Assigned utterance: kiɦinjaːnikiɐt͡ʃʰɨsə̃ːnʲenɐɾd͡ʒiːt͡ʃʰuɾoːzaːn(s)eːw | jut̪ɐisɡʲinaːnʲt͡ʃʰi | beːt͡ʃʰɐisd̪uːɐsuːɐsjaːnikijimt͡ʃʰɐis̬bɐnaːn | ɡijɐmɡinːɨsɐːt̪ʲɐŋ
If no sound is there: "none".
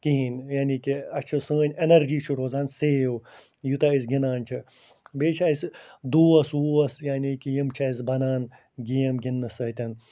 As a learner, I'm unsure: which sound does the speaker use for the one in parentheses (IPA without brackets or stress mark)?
s